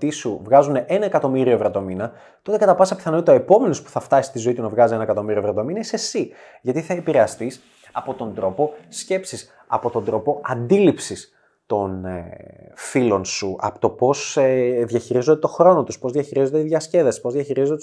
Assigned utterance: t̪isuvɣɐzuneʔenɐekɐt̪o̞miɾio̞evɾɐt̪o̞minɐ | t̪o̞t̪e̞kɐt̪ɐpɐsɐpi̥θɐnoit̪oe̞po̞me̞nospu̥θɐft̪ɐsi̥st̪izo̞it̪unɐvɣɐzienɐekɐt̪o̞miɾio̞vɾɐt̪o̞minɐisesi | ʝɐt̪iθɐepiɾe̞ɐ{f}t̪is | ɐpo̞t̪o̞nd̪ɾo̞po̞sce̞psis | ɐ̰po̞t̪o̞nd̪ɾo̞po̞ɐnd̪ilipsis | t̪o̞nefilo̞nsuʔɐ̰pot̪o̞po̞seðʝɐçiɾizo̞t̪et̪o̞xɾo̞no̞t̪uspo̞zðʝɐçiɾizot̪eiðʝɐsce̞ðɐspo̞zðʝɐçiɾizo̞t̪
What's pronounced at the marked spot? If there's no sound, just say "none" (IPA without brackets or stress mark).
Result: s